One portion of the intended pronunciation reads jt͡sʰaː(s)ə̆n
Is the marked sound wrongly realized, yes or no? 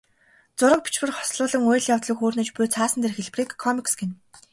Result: no